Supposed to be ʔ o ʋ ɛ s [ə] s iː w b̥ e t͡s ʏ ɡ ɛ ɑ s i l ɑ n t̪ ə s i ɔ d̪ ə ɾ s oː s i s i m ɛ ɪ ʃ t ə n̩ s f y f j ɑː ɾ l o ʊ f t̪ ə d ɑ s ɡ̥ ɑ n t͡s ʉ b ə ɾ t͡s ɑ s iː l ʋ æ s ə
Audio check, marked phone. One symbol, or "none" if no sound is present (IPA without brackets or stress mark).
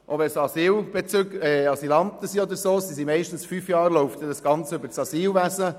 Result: ɑ